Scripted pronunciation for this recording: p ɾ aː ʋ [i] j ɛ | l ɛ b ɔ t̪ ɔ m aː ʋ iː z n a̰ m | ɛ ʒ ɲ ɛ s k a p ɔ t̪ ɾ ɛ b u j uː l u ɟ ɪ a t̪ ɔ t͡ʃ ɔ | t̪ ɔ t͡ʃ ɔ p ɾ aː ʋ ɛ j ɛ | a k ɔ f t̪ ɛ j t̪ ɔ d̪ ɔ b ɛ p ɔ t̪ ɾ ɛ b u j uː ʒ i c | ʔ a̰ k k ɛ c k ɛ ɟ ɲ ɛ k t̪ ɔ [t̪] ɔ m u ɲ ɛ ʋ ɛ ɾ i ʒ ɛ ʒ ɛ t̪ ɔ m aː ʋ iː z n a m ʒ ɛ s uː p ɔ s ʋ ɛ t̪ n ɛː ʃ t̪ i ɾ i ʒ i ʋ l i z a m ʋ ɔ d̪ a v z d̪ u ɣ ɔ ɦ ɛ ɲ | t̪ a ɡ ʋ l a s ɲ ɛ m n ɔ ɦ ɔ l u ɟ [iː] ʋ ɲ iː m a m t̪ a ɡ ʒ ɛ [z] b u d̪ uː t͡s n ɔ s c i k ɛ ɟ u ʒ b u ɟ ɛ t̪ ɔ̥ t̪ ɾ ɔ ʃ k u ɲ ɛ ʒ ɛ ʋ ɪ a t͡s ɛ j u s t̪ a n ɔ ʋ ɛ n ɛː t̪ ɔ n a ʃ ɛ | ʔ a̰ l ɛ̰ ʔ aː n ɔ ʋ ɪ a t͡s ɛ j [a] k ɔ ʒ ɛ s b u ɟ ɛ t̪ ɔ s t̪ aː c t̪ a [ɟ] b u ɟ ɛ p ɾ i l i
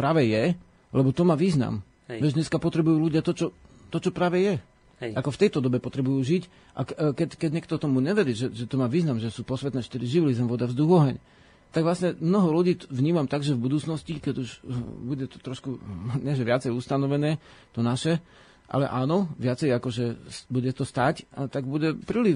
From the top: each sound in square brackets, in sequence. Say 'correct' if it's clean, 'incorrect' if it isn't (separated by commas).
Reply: incorrect, correct, correct, incorrect, correct, incorrect